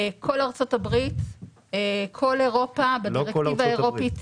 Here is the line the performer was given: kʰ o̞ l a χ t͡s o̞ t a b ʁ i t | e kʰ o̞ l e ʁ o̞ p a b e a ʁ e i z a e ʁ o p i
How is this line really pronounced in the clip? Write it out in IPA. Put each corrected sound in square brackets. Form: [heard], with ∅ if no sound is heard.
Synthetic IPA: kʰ o̞ l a [ʁ] t͡s o̞ t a b ʁ i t | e kʰ o̞ l e ʁ o̞ p a b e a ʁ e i [v] a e ʁ o p i